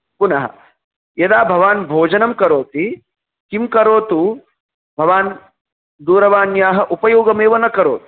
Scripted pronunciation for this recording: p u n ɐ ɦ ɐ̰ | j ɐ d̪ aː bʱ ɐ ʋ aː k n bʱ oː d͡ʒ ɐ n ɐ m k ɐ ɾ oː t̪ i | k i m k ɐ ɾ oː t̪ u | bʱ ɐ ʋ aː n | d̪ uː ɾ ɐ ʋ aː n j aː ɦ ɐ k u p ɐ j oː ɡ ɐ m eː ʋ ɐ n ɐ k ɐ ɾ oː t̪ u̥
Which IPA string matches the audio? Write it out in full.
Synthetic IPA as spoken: p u n ɐ ɦ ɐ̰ | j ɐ d̪ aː bʱ ɐ ʋ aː n bʱ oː d͡ʒ ɐ n ɐ m k ɐ ɾ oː t̪ i | k i m k ɐ ɾ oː t̪ u | bʱ ɐ ʋ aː n | d̪ uː ɾ ɐ ʋ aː n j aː ɦ ɐ ʔ u p ɐ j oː ɡ ɐ m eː ʋ ɐ n ɐ k ɐ ɾ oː t̪ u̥